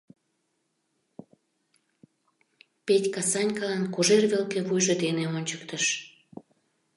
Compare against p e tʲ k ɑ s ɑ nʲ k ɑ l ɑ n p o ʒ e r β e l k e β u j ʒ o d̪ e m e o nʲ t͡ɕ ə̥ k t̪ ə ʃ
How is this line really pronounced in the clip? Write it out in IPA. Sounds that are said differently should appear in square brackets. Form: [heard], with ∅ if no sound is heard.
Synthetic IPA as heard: p e tʲ k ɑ s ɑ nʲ k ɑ l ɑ n [k] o ʒ e r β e l k e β u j ʒ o d̪ e [n] e o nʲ t͡ɕ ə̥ k t̪ ə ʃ